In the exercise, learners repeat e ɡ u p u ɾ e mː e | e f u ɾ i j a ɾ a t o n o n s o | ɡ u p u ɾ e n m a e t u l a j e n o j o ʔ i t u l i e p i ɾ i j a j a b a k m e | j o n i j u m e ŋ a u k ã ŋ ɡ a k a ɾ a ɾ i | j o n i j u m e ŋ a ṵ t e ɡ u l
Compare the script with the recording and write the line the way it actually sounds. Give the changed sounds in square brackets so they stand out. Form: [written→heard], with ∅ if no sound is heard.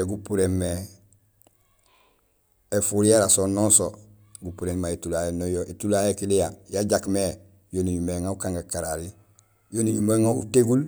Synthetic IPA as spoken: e ɡ u p u ɾ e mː e | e f u ɾ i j a ɾ a [t→s] o n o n s o | ɡ u p u ɾ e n m a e t u l a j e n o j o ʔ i t u l [i→a] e [p→k] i [ɾ→l] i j a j a [b→ɟ] a k m e | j o n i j u m e ŋ a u k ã ŋ ɡ a k a ɾ a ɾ i | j o n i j u m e ŋ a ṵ t e ɡ u l

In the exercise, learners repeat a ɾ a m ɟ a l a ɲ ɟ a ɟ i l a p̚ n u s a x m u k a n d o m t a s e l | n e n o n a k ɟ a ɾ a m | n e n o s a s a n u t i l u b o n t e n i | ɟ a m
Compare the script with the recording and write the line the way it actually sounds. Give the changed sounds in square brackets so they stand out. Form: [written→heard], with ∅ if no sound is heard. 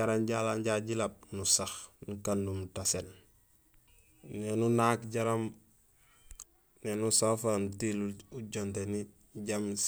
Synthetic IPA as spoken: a ɾ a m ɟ a l a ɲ ɟ a ɟ i l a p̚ n u s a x [m→n] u k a n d [o→u] m t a s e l | n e n [o→u] n a k ɟ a ɾ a m | n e n [o→u] s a [s→f] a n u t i l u [b→ɟ] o n t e n i | ɟ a m

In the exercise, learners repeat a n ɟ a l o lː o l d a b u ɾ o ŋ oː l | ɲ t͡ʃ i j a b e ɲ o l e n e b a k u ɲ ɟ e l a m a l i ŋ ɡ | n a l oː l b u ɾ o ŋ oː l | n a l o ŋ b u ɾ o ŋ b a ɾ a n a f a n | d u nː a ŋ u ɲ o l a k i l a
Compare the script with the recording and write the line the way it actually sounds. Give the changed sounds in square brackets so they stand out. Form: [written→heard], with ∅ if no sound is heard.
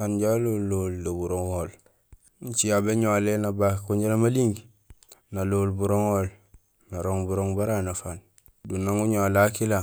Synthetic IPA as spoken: a n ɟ a l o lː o l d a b u ɾ o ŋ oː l | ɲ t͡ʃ i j a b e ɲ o l e n [e→a] b a k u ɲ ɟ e l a m a l i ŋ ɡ | n a l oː l b u ɾ o ŋ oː l | n a [l→ɾ] o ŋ b u ɾ o ŋ b a ɾ a n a f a n | d u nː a ŋ u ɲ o l a k i l a

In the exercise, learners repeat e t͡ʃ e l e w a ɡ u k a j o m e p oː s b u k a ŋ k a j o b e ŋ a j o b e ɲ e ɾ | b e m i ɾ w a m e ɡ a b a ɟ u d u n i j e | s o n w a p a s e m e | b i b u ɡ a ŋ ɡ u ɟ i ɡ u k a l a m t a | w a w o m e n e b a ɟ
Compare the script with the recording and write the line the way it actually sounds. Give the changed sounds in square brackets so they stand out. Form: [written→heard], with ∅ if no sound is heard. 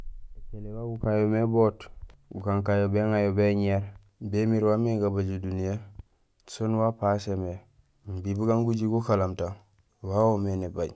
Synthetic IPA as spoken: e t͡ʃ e l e w a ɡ u k a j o m e [p→b] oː [s→t] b u k a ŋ k a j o b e ŋ a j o b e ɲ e ɾ | b e m i ɾ w a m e ɡ a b a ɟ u d u n i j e | s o n w a p a s e m e | b i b u ɡ a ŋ ɡ u ɟ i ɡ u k a l a m t a | w a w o m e n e b a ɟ

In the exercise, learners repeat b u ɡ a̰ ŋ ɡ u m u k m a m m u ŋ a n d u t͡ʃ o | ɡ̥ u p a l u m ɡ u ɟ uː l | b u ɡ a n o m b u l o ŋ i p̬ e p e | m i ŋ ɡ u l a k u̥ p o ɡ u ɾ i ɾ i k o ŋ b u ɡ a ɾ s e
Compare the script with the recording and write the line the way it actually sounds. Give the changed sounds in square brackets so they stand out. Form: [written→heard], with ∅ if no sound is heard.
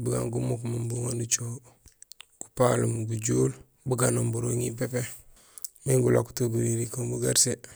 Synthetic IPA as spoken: b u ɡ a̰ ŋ ɡ u m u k m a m [m→b] u ŋ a n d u t͡ʃ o | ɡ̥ u p a l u m ɡ u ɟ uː l | b u ɡ a n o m b u [l→ɾ] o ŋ i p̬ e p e | m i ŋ ɡ u l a k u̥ [p→t] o ɡ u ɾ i ɾ i k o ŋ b u ɡ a ɾ s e

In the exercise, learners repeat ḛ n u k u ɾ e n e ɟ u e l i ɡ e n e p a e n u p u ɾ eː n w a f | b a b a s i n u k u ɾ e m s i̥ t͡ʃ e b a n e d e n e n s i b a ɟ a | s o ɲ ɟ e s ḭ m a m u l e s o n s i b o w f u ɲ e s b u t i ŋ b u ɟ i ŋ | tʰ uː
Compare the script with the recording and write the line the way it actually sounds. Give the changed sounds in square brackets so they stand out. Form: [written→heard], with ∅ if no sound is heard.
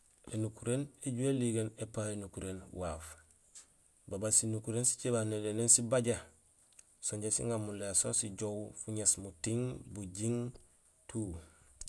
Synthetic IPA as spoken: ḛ n u k u ɾ e n e ɟ u e l i ɡ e n e p a e n u [p→k] u ɾ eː n w a f | b a b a s i n u k u ɾ e [m→n] s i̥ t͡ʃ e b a n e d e n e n s i b a ɟ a | s o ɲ ɟ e s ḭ [m→ŋ] a m u l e s o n s i [b→ɟ] o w f u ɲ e s [b→m] u t i ŋ b u ɟ i ŋ | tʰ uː

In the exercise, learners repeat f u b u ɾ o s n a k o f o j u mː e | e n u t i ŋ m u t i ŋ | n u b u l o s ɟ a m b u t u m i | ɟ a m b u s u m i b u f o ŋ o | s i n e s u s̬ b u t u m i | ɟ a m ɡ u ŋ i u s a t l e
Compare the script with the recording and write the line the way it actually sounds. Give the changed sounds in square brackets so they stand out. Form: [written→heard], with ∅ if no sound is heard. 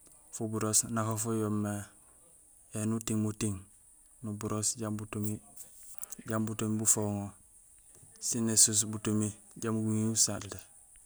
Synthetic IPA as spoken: f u b u ɾ o s n a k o f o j [u→o] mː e | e n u t i ŋ m u t i ŋ | n u b u [l→ɾ] o s ɟ a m b u t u m i | ɟ a m b u [s→t] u m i b u f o ŋ o | s i n e s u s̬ b u t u m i | ɟ a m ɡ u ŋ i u s a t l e

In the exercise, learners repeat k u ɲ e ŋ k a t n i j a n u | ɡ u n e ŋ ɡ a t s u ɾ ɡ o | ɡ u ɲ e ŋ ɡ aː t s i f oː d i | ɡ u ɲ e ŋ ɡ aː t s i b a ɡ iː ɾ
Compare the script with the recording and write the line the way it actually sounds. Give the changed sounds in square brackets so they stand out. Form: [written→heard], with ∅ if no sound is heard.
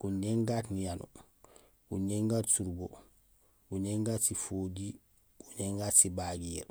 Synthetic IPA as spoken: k u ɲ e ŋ [k→ɡ] a t n i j a n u | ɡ u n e ŋ ɡ a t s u ɾ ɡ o | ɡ u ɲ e ŋ ɡ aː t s i f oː d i | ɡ u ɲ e ŋ ɡ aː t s i b a ɡ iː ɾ

